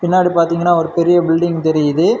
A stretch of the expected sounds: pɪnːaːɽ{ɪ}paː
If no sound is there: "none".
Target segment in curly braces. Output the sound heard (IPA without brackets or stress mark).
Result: i